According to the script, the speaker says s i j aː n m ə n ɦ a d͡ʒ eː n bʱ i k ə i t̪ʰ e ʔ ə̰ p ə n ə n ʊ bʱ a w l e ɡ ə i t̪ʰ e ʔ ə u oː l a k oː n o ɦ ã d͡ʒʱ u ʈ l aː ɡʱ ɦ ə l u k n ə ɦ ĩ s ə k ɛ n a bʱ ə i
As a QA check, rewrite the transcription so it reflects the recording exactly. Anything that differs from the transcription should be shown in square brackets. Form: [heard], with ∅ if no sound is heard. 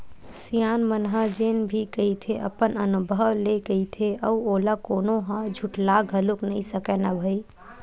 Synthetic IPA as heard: s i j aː n m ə n ɦ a d͡ʒ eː n bʱ i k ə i t̪ʰ e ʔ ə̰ p ə n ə n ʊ bʱ [ə] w l e ɡ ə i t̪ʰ e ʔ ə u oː l a k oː n o ɦ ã d͡ʒʱ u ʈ l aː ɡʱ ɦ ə l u k n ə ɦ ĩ s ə k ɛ n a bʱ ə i